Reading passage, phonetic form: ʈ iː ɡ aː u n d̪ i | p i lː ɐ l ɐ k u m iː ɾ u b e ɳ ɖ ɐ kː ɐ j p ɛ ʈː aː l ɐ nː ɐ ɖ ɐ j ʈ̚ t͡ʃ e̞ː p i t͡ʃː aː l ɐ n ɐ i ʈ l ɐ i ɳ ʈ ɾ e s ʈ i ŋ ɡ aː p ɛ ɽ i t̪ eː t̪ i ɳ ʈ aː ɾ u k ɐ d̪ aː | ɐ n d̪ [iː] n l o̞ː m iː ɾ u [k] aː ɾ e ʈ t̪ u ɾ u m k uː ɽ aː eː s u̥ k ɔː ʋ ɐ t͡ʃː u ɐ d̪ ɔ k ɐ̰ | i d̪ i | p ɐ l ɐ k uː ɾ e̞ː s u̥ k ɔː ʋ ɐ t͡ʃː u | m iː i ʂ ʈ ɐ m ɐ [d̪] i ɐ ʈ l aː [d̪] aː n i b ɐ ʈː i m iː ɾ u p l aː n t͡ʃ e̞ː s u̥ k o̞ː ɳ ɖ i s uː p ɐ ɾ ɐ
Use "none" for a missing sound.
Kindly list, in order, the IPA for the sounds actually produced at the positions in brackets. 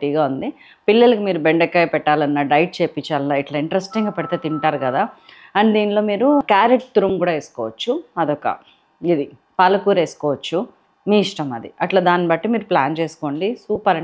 iː, k, d̪, d̪

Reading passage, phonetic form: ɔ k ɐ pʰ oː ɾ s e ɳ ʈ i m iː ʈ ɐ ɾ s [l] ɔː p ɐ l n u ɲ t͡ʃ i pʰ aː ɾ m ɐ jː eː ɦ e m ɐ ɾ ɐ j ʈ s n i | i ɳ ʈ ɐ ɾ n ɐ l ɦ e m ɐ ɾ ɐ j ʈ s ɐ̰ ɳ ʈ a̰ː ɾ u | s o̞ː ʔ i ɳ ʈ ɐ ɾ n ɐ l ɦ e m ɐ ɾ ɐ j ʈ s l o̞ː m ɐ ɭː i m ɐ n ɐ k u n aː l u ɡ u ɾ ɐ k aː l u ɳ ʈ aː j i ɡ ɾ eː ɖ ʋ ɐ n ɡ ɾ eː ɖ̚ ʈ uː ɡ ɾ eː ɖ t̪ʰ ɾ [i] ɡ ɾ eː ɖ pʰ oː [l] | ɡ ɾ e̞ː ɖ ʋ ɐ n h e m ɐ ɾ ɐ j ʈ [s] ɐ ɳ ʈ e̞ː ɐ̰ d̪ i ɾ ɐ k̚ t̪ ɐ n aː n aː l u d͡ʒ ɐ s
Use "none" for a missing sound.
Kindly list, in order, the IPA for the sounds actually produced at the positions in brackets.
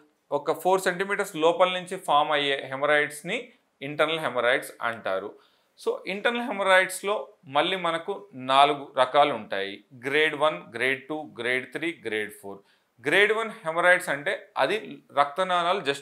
l, iː, ɾ, s

